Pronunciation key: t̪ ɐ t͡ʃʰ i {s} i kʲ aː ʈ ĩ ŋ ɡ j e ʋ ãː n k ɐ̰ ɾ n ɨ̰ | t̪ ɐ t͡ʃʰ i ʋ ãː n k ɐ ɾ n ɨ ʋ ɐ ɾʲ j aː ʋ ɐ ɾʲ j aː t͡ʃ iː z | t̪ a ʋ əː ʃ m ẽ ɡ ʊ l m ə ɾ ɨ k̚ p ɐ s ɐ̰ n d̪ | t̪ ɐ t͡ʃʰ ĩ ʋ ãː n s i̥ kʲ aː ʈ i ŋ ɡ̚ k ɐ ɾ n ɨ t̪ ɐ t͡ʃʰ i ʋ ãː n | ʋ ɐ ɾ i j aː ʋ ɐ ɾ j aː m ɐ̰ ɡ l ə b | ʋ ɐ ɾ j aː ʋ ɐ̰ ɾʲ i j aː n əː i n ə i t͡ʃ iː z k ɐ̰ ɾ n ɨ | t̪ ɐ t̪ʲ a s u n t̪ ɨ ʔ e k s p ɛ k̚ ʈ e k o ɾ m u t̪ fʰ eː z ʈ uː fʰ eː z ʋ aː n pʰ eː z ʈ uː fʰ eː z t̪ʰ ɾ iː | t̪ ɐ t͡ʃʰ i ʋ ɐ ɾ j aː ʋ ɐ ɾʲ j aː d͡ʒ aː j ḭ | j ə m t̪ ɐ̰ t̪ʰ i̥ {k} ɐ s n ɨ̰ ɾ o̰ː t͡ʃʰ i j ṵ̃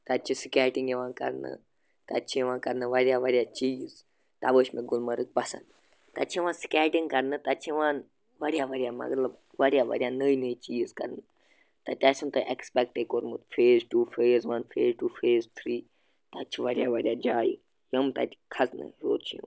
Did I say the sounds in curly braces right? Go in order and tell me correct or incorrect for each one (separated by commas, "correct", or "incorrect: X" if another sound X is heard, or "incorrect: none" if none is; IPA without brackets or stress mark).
correct, incorrect: kʰ